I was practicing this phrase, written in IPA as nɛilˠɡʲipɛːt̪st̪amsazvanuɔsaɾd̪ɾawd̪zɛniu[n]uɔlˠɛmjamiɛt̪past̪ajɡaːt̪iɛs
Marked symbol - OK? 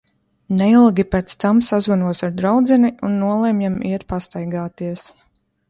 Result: no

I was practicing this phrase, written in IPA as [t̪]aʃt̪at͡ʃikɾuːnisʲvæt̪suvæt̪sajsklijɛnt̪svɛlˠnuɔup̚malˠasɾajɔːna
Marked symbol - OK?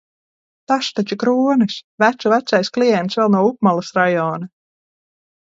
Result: yes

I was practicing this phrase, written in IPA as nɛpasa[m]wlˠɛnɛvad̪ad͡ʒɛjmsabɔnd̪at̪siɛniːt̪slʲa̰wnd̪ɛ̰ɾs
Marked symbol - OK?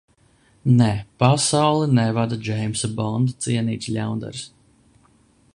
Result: no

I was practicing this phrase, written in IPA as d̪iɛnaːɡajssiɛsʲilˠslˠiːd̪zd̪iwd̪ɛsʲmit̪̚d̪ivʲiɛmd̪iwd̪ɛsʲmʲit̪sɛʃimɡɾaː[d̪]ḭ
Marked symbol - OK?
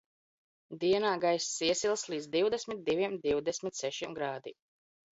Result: yes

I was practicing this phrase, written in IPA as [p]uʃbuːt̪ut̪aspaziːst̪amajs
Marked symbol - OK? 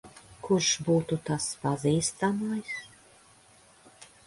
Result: no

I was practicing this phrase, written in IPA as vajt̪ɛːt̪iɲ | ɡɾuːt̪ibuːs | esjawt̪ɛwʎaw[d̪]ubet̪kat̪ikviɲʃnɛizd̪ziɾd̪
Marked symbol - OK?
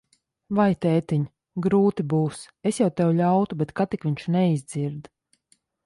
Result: no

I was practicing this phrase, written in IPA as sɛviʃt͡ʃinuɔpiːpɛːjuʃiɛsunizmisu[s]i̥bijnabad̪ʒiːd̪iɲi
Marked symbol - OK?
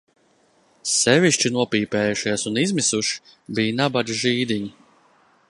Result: no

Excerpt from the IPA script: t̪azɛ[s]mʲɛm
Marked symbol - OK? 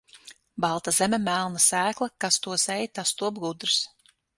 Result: no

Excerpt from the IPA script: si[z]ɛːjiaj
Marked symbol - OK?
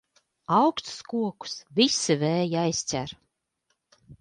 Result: no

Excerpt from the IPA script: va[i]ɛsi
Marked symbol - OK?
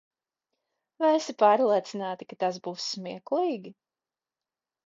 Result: no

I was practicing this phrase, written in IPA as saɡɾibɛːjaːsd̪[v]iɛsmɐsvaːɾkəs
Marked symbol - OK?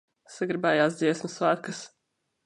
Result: no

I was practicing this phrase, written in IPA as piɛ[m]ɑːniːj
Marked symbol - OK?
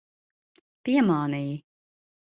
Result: yes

